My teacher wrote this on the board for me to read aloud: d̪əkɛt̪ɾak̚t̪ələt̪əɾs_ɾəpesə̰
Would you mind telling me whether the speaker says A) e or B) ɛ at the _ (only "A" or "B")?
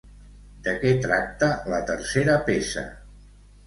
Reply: A